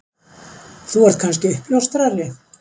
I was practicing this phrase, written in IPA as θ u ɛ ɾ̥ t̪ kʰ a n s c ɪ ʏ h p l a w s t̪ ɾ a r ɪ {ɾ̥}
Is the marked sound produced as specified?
no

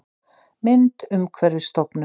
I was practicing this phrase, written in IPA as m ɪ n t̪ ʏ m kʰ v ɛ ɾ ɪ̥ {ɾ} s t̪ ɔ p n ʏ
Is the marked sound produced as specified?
no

